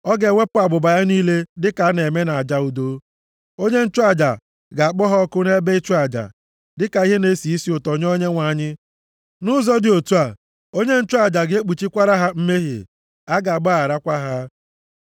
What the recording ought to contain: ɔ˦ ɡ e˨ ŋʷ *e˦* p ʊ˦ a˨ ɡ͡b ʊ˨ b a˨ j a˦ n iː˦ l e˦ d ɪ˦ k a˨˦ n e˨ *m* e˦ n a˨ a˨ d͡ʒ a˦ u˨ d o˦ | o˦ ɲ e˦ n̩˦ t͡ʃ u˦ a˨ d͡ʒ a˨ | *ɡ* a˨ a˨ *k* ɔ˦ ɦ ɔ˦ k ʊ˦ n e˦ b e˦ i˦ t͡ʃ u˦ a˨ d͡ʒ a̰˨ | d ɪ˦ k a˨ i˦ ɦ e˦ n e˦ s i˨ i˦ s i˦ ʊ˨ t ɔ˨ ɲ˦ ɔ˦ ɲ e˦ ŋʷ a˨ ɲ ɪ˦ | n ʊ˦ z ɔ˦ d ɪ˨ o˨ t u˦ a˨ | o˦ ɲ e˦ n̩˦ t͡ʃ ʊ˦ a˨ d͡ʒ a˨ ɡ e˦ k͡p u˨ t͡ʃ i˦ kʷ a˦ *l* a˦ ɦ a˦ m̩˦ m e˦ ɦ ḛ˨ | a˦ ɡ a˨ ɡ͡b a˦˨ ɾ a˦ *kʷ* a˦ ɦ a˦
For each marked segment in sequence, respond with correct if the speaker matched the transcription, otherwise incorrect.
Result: correct, correct, correct, incorrect, incorrect, correct

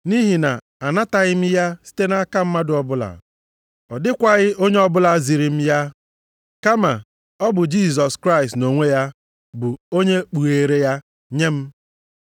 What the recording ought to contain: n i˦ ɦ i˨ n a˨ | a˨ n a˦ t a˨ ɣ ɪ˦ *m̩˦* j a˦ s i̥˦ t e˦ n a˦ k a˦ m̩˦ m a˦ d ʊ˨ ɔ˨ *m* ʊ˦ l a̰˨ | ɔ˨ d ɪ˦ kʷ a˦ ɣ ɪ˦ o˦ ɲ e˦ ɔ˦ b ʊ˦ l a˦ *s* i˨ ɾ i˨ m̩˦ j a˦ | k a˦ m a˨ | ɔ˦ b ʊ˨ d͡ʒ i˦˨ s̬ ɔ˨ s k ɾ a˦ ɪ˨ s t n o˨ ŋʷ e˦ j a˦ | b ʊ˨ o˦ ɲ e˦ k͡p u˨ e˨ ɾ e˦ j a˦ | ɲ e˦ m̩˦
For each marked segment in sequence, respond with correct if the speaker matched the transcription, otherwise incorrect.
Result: correct, incorrect, incorrect

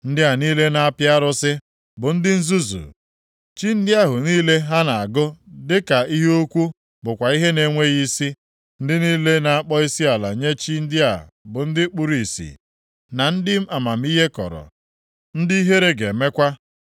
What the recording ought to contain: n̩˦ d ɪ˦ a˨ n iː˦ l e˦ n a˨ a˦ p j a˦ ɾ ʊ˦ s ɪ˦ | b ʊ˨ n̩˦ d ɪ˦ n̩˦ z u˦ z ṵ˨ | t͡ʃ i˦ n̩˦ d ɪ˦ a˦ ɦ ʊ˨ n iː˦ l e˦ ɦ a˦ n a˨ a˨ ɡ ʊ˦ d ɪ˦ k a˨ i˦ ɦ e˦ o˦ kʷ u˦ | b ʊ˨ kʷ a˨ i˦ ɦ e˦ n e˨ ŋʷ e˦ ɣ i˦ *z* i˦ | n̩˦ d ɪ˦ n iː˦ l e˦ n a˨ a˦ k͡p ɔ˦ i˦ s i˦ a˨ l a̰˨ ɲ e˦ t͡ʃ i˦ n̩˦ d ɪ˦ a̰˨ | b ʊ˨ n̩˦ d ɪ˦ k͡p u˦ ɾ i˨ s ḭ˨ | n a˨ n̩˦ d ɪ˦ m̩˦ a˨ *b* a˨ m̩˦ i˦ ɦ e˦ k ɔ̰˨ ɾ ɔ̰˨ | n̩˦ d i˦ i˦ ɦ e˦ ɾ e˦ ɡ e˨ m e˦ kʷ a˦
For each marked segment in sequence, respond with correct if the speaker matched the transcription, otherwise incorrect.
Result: incorrect, incorrect

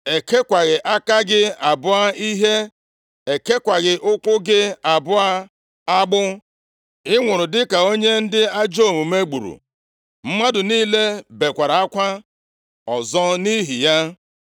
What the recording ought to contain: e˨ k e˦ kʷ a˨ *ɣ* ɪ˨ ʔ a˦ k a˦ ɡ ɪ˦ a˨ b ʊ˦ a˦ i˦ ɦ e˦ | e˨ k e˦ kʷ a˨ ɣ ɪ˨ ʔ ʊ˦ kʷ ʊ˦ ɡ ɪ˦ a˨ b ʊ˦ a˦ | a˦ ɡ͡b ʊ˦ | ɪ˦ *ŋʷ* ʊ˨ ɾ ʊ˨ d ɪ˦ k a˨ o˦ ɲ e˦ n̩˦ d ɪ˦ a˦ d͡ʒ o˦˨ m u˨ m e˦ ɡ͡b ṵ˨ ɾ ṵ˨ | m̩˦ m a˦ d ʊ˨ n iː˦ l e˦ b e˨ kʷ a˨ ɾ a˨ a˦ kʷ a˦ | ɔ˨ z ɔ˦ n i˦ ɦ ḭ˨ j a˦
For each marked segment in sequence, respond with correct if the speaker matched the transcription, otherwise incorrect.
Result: correct, correct

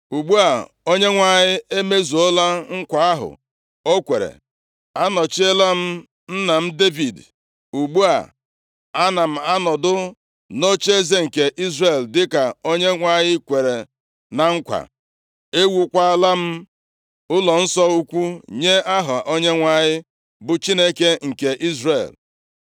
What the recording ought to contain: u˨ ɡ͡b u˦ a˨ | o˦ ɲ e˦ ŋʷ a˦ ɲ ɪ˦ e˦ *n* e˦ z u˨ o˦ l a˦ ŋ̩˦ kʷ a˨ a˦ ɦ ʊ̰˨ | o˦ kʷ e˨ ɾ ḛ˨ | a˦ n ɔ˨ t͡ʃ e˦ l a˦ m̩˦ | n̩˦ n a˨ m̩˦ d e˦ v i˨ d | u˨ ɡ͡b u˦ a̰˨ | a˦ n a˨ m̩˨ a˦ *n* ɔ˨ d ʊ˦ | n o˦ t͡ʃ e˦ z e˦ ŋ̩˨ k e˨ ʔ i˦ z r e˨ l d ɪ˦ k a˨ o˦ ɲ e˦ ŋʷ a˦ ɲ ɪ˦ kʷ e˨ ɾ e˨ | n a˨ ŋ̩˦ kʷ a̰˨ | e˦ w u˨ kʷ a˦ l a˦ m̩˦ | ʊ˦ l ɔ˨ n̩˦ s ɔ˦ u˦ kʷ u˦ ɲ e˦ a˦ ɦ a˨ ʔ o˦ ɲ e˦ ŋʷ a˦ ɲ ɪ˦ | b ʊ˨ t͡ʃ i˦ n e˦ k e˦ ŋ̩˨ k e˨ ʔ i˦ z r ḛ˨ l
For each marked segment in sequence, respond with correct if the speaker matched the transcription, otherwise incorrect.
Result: incorrect, correct

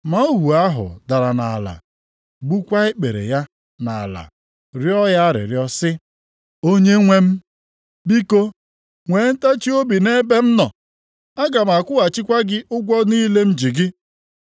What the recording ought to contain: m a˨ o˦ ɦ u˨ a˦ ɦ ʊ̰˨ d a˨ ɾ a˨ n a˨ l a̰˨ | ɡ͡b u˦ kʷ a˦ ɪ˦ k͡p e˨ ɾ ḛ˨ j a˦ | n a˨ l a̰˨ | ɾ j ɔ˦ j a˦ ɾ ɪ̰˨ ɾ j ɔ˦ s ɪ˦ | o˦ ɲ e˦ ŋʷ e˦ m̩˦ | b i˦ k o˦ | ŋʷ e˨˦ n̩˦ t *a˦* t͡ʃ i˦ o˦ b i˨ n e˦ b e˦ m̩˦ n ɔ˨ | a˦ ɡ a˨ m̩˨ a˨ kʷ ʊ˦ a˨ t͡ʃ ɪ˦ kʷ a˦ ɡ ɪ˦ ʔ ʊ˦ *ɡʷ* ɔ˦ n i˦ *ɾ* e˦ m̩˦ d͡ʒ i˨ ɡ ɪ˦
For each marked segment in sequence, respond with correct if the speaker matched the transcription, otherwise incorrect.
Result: correct, correct, incorrect

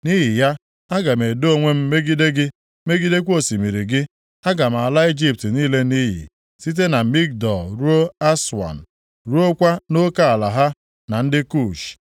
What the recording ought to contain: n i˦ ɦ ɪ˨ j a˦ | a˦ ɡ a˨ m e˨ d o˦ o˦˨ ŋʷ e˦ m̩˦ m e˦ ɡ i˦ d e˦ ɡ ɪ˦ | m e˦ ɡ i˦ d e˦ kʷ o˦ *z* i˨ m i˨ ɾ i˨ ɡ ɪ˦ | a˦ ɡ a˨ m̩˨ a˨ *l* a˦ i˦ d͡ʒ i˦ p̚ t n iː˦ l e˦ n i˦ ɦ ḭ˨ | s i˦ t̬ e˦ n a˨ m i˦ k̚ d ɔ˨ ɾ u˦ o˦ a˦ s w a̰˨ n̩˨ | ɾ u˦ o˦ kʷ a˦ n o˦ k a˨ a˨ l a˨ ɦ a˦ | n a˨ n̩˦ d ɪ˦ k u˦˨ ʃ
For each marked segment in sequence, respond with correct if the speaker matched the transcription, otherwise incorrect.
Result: incorrect, correct

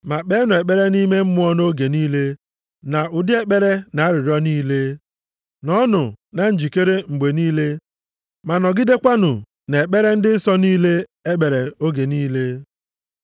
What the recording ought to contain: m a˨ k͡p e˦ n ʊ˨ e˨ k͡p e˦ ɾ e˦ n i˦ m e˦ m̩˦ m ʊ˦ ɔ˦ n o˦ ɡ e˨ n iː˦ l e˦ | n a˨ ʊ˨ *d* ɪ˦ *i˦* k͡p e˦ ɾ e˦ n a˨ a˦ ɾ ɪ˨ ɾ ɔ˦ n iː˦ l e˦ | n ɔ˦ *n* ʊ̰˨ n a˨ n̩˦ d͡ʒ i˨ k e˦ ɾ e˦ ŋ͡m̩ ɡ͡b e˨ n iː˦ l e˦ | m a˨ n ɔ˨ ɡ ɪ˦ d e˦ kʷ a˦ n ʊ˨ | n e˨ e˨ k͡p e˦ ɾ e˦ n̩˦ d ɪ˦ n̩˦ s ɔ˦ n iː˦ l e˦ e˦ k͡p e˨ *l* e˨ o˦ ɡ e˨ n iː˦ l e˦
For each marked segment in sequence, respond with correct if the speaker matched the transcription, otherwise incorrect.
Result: correct, incorrect, correct, incorrect

